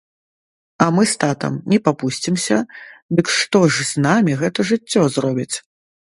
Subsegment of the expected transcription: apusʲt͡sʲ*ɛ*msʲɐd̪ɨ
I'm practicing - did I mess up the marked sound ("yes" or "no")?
yes